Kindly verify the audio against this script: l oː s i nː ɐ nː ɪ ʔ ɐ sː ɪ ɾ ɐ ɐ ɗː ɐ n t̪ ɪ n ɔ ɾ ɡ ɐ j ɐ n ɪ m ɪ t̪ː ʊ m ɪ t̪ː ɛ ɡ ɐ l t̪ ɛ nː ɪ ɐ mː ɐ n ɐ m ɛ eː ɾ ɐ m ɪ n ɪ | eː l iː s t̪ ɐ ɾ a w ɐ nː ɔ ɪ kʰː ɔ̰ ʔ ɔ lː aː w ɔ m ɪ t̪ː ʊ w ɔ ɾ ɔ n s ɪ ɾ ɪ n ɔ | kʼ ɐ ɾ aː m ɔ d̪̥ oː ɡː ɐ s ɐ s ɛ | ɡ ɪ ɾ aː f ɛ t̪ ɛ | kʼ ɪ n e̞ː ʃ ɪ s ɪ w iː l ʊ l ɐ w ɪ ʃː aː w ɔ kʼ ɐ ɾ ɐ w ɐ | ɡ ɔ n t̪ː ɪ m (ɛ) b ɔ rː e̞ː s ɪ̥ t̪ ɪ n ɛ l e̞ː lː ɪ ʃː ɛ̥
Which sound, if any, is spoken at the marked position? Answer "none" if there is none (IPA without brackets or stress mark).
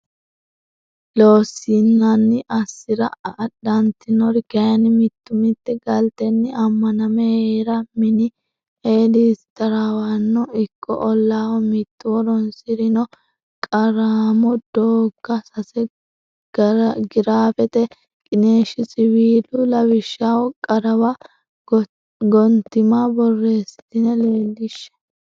a